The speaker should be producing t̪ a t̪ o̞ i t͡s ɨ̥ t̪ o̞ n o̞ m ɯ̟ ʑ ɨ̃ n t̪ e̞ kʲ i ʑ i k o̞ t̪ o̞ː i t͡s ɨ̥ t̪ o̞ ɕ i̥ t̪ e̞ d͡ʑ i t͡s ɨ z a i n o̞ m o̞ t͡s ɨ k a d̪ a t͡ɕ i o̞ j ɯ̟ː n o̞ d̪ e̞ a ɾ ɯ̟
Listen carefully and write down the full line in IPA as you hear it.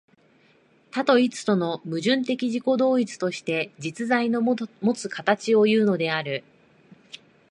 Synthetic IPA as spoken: t̪ a t̪ o̞ i t͡s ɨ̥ t̪ o̞ n o̞ m ɯ̟ ʑ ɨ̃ n t̪ e̞ kʲ i ʑ i k o̞ d̪ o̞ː i t͡s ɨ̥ t̪ o̞ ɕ i̥ t̪ e̞ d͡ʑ i t͡s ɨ z a i n o̞ m o̞ t͡s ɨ k a t̪ a t͡ɕ i o̞ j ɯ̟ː n o̞ d̪ e̞ a ɾ ɯ̟

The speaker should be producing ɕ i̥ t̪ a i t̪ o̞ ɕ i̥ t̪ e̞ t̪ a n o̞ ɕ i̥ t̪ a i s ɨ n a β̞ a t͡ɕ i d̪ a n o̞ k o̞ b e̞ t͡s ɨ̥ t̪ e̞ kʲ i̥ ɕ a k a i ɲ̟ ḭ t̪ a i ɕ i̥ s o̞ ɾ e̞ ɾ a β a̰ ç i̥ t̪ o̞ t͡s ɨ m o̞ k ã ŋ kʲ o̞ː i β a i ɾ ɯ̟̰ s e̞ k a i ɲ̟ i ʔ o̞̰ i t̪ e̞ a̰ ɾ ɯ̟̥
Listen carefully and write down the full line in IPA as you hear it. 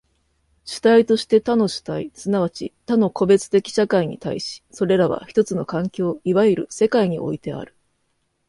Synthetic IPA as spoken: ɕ i̥ t̪ a i t̪ o̞ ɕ i̥ t̪ e̞ t̪ a n o̞ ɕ i̥ t̪ a i s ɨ n a β̞ a t͡ɕ i t̪ a n o̞ k o̞ b e̞ t͡s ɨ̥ t̪ e̞ kʲ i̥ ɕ a k a i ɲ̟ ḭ t̪ a i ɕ i̥ s o̞ ɾ e̞ ɾ a β a̰ ç i̥ t̪ o̞ t͡s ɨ n o̞ k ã ŋ kʲ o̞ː i β a i ɾ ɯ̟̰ s e̞ k a i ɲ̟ i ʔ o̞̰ i t̪ e̞ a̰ ɾ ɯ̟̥

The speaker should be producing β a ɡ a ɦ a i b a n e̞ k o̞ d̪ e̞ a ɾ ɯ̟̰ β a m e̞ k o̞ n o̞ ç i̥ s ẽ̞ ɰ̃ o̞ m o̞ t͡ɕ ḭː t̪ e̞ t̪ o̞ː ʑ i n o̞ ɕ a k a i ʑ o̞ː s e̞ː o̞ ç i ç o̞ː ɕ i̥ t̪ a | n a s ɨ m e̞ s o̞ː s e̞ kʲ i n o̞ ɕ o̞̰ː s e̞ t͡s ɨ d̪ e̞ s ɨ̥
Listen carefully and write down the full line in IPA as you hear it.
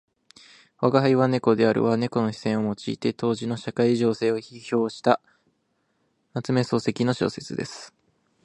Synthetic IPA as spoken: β a ɡ a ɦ a i β a n e̞ k o̞ d̪ e̞ a ɾ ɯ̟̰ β a n e̞ k o̞ n o̞ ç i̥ s ẽ̞ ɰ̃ o̞ m o̞ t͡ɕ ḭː t̪ e̞ t̪ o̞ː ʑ i n o̞ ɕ a k a i ʑ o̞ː s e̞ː o̞ ç i ç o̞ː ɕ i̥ t̪ a | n a t͡s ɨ m e̞ s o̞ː s e̞ kʲ i n o̞ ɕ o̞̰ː s e̞ t͡s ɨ d̪ e̞ s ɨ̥

